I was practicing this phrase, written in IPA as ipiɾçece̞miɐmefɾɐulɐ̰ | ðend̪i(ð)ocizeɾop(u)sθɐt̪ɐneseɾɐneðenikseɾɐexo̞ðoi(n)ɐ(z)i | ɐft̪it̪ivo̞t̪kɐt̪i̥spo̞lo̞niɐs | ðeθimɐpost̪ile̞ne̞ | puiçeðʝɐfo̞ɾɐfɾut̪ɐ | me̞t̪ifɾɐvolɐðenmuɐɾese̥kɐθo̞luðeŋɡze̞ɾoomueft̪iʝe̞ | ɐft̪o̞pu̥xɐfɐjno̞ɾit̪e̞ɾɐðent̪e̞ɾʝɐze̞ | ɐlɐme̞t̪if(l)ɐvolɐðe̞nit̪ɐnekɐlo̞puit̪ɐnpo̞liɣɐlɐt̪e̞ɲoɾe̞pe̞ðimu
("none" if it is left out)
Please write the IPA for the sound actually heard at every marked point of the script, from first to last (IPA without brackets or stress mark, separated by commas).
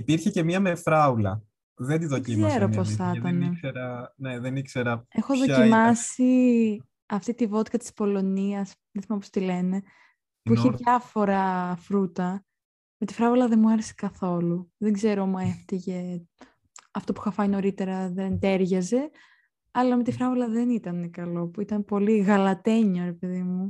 ð, o, m, s, ɾ